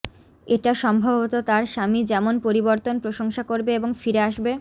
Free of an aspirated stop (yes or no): yes